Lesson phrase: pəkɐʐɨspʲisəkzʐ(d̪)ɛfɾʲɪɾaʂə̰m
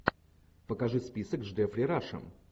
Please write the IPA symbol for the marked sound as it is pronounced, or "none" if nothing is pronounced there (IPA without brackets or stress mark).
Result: d̪